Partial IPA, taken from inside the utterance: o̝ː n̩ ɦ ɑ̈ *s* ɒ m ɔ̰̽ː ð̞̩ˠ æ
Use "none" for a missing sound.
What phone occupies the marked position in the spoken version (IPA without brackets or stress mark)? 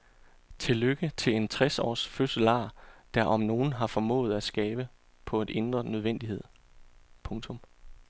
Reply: f